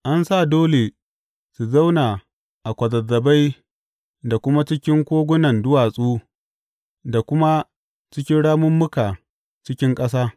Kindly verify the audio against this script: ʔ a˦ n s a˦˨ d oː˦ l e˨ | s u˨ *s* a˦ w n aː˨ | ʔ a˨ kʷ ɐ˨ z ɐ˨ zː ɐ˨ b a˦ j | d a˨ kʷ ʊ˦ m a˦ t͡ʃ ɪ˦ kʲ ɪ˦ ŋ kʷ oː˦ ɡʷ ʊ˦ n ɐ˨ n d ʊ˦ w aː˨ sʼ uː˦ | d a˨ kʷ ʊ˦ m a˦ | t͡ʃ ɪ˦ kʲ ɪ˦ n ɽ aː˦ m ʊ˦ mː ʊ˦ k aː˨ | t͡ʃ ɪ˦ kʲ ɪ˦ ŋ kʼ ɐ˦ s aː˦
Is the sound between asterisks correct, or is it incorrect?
incorrect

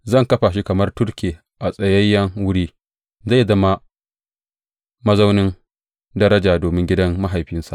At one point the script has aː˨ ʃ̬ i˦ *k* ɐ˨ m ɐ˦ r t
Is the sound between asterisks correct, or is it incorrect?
correct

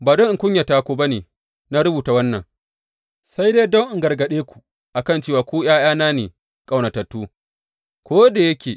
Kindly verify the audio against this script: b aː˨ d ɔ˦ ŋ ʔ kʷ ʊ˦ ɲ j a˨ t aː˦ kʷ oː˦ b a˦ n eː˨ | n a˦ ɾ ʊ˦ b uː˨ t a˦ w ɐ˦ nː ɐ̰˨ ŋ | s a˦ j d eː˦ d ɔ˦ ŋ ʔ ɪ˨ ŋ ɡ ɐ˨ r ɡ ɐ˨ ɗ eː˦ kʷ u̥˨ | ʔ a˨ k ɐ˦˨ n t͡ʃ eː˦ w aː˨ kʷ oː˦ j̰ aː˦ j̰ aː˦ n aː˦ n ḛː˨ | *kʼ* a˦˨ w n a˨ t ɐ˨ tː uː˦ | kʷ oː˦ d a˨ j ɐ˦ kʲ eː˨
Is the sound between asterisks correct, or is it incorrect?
correct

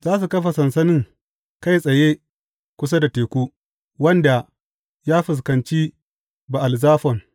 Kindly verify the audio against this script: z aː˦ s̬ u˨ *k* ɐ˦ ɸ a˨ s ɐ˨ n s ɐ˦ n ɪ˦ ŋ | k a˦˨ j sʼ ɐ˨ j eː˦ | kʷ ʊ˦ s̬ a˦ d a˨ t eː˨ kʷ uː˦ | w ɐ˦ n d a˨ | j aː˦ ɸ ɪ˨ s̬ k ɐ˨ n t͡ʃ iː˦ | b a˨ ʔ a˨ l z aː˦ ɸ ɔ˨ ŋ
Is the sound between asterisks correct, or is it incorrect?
correct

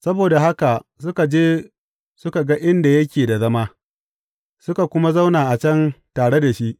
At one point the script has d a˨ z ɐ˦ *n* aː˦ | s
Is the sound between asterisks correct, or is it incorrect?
incorrect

